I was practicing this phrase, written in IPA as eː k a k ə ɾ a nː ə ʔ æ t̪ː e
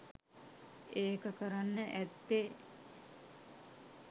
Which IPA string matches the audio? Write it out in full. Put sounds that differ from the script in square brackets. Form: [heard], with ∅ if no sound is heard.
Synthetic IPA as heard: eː k [ə] k ə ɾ a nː ə ʔ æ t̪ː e